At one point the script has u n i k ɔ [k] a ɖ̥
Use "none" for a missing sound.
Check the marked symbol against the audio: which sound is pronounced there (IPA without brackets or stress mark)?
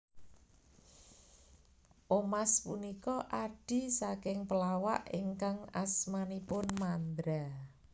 ʔ